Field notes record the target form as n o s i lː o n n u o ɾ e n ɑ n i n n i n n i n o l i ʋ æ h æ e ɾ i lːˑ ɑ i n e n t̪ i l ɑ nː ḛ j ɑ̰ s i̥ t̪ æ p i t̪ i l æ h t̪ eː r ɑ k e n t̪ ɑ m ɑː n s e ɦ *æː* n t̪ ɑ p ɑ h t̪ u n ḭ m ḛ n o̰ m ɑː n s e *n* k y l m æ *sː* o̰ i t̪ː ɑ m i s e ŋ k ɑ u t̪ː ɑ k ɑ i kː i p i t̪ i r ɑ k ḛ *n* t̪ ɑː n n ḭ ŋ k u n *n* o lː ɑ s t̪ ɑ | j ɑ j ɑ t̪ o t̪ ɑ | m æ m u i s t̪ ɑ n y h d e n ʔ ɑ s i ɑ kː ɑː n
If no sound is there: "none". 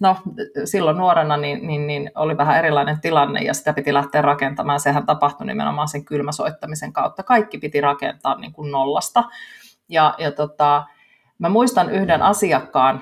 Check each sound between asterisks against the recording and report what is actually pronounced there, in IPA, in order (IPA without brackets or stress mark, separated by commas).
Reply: æ, ŋ, s, n, n